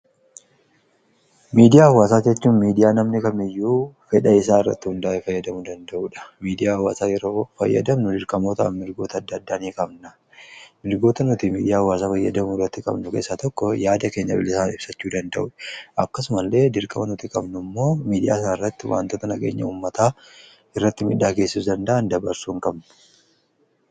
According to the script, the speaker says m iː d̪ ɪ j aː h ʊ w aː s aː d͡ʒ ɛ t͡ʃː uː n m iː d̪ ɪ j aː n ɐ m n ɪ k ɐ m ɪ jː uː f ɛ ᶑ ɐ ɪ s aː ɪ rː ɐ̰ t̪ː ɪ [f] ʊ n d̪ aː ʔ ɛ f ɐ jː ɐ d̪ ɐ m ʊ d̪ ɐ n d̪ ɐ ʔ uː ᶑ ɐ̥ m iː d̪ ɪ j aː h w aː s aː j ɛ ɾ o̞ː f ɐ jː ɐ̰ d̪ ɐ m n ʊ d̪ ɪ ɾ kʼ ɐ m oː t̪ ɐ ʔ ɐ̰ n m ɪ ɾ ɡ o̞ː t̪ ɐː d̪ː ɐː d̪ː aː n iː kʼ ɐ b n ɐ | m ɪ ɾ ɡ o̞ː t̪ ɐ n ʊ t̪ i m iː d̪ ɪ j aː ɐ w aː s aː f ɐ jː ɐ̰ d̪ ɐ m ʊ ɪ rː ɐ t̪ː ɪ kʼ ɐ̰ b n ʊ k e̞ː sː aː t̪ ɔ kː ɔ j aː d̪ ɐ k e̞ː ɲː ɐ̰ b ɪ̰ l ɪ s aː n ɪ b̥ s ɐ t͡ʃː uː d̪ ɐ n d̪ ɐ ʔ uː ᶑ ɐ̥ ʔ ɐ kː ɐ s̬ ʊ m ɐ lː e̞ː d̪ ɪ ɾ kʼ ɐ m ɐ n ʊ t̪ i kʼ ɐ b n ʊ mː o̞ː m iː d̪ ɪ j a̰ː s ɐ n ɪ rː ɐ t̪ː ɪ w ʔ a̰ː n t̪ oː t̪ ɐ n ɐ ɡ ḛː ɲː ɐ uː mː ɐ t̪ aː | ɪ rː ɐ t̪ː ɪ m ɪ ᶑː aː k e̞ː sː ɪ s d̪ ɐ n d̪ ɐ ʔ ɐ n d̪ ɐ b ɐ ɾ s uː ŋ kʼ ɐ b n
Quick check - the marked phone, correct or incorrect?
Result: incorrect